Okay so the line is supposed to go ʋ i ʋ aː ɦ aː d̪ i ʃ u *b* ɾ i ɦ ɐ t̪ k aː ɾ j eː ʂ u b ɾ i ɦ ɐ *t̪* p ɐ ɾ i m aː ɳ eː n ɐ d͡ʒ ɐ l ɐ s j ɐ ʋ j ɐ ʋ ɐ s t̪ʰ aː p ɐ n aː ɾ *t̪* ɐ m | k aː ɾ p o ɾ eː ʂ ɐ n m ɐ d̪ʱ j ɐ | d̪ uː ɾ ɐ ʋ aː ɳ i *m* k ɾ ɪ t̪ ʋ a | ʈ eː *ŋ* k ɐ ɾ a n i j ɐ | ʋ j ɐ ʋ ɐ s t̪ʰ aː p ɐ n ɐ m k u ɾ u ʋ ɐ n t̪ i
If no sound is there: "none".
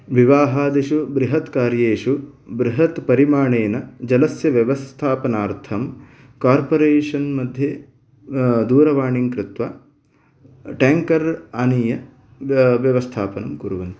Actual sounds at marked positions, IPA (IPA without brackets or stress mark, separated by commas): b, t̪, t̪ʰ, ŋ, ŋ